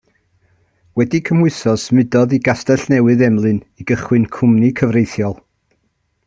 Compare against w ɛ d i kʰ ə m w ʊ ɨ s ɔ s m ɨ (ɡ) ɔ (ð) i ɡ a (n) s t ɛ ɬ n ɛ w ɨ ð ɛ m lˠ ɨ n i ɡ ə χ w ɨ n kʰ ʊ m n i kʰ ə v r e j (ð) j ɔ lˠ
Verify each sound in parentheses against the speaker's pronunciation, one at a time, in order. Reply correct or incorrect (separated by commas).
incorrect, correct, incorrect, incorrect